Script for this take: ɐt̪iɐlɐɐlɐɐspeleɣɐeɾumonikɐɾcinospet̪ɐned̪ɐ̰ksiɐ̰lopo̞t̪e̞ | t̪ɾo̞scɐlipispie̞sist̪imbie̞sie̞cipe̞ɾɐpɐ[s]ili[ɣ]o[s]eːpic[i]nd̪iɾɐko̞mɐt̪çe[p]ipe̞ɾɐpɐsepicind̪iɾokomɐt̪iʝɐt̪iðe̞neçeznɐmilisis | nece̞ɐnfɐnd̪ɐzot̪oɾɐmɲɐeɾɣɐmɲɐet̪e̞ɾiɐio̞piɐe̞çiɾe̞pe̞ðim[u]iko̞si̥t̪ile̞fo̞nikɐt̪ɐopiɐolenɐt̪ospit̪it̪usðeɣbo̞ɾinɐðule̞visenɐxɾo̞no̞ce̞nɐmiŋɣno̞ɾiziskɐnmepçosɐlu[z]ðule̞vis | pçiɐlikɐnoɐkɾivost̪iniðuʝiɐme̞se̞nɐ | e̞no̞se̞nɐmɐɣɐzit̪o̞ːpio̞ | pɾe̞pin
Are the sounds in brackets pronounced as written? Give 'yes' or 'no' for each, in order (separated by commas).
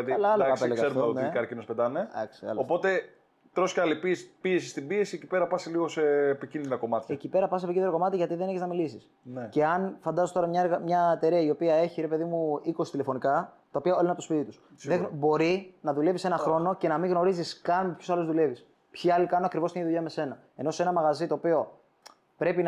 yes, yes, yes, yes, no, yes, yes